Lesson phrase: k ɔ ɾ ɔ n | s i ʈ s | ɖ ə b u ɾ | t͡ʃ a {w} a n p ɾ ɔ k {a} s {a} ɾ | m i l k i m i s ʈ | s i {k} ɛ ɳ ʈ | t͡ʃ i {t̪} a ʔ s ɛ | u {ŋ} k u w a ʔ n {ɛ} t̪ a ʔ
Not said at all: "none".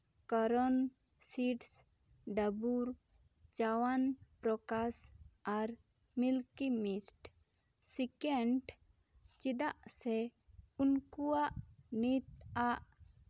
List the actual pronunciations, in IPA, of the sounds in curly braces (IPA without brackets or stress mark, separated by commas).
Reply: w, a, a, k, d̪, n, i